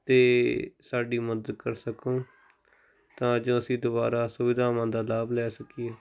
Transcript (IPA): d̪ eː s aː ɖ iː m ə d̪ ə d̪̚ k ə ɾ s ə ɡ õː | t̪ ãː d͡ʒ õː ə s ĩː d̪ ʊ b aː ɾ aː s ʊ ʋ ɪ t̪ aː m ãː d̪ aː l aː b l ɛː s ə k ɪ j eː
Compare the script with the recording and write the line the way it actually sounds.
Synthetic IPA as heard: t̪ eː s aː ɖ iː m ə d̪ ə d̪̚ k ə ɾ s ə k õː | t̪ ãː d͡ʒ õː ə s ĩː d̪ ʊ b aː ɾ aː s ʊ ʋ ɪ d̪ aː m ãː d̪ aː l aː b l ɛː s ə k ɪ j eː